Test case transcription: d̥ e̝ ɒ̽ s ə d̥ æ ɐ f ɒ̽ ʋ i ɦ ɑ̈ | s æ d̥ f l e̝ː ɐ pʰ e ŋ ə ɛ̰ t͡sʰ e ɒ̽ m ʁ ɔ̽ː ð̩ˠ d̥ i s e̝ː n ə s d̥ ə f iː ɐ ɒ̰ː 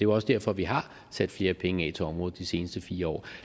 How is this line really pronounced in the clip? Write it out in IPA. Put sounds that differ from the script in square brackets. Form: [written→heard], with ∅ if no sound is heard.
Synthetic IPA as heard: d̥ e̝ ɒ̽ s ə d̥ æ ɐ f ɒ̽ ʋ i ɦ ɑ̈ | s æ d̥ f l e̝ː ɐ pʰ e ŋ ə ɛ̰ t͡sʰ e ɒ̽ m ʁ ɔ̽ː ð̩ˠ d̥ i s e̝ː n ə s d̥ ə f iː ɐ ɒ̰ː